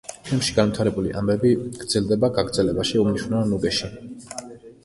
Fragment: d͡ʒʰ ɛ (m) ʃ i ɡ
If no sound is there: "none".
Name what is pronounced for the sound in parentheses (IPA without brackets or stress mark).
m